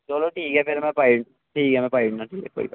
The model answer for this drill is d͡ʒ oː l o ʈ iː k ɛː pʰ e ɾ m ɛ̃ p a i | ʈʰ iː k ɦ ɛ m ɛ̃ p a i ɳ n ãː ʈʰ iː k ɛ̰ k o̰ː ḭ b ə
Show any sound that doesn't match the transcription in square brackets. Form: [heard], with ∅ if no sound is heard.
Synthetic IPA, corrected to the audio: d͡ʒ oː l o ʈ iː k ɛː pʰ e ɾ m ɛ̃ p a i | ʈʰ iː k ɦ ɛ m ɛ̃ p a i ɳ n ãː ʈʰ iː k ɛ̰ k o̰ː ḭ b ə